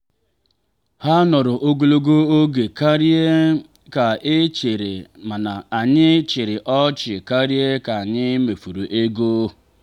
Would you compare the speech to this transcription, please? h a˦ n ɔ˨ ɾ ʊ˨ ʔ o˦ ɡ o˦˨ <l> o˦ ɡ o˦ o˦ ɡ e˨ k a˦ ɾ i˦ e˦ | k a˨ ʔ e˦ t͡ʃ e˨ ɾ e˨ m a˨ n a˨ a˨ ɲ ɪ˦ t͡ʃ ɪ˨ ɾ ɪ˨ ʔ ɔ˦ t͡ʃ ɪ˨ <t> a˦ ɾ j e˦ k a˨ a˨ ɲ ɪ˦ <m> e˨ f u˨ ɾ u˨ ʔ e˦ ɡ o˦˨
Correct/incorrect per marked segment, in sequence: correct, incorrect, correct

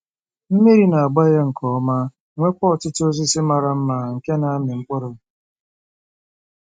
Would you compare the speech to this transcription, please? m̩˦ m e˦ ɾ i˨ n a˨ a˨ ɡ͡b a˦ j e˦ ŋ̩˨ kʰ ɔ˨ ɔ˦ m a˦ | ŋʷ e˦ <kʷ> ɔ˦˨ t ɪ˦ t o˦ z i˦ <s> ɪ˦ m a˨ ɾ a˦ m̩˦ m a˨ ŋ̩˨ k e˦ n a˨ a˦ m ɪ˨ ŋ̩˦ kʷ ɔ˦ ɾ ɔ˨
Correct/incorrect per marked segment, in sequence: correct, correct

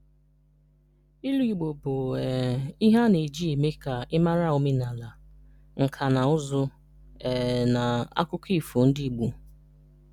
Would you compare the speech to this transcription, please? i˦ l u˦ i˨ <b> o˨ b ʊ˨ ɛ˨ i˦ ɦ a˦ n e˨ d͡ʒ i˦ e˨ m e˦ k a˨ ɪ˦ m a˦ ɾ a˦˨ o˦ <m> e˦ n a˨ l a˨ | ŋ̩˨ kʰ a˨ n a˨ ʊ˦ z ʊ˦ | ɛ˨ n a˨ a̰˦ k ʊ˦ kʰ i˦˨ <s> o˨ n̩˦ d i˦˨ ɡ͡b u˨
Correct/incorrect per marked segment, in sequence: incorrect, correct, incorrect

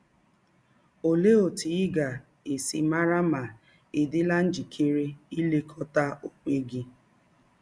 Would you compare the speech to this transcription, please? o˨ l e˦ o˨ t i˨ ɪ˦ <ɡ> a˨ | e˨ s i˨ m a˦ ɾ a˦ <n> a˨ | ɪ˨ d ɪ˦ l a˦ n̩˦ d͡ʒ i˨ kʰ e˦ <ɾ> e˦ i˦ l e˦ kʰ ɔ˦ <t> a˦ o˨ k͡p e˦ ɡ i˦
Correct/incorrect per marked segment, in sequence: correct, incorrect, correct, correct

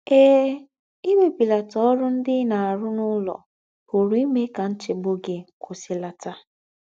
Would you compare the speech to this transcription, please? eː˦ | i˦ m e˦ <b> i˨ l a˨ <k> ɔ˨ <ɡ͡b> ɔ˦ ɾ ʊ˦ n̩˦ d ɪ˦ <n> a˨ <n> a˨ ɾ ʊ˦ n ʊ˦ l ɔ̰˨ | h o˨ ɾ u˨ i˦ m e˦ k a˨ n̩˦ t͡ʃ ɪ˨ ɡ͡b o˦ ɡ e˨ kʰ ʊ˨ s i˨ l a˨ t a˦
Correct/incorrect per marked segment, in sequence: incorrect, incorrect, incorrect, correct, incorrect

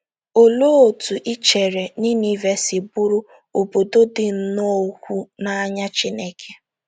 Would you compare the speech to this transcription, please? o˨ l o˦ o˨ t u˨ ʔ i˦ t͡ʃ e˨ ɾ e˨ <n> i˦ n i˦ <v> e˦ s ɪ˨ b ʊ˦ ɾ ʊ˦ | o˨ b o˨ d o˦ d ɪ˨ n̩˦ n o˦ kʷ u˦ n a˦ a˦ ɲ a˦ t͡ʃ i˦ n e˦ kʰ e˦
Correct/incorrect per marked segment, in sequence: correct, correct

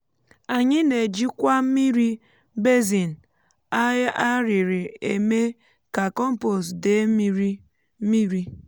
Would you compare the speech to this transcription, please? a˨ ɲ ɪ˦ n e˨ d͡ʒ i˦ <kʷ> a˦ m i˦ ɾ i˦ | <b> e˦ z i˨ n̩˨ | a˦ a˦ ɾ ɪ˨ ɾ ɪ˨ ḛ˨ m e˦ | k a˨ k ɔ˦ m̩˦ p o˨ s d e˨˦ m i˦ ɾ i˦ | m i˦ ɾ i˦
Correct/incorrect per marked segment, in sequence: correct, correct

